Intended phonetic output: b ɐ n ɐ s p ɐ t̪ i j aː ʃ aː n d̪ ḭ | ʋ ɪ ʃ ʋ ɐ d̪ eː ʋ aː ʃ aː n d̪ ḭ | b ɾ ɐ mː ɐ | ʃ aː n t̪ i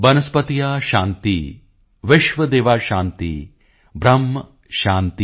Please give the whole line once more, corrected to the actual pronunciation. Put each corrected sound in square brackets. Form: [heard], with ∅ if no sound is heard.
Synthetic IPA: b ɐ n ɐ s p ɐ t̪ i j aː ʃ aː n [t̪] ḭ | ʋ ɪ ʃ ʋ ɐ d̪ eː ʋ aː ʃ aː n [t̪] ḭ | b ɾ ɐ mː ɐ | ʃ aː n t̪ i